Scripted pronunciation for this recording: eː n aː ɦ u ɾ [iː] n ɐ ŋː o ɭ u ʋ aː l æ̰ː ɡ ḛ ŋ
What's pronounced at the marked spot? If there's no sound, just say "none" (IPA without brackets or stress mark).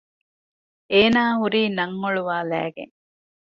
iː